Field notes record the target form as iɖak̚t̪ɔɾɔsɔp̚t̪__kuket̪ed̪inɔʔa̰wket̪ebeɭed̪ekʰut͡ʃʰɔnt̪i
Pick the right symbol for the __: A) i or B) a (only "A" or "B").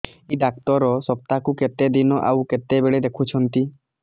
B